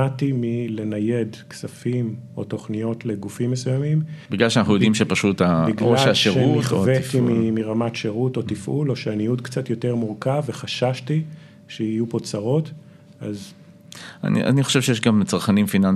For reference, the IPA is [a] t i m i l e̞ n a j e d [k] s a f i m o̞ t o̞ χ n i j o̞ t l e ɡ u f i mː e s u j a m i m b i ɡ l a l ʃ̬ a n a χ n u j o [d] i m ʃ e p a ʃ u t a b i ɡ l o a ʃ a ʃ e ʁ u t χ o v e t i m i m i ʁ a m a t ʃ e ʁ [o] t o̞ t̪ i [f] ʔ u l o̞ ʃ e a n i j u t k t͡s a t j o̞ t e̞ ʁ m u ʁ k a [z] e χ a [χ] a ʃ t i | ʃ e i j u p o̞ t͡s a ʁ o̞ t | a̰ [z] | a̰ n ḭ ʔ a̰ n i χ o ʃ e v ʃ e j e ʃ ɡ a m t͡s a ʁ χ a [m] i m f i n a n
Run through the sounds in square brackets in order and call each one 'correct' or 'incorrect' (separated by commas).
correct, correct, correct, incorrect, correct, incorrect, incorrect, correct, incorrect